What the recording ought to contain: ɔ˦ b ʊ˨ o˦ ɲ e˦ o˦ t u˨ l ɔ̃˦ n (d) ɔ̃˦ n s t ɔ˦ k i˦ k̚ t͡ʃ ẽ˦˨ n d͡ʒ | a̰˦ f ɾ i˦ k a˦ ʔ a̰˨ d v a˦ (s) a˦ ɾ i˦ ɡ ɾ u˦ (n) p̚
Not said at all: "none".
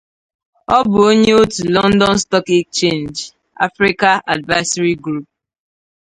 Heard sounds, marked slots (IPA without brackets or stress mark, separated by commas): d, s, none